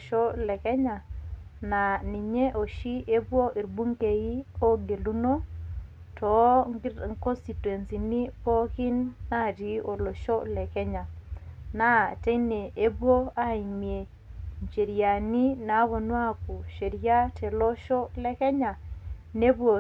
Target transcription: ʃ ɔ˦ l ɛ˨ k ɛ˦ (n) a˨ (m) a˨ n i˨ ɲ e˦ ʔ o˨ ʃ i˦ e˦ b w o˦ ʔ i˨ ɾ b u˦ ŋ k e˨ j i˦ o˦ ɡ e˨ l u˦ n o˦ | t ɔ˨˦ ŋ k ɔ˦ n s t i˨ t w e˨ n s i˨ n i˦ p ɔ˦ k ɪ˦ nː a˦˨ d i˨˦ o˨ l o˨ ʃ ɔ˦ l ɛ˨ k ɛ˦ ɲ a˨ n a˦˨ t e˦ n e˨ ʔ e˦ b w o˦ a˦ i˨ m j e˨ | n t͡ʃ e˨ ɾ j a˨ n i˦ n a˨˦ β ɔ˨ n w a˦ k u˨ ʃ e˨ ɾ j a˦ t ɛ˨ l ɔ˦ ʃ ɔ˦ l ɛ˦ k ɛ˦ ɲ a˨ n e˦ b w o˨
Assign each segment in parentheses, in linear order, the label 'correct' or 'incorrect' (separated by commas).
incorrect, incorrect